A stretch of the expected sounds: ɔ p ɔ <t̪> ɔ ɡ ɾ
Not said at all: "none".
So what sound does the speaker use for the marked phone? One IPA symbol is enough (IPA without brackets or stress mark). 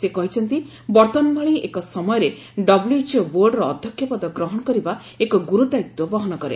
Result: d̪